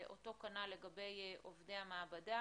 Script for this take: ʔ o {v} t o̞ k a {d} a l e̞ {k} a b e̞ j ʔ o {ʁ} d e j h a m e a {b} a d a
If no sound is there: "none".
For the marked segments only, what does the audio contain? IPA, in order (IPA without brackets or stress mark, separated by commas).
none, n, ɡ, v, b